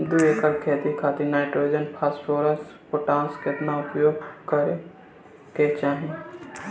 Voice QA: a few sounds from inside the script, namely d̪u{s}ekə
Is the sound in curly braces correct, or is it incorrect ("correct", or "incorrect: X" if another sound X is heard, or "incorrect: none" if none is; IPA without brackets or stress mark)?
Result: incorrect: none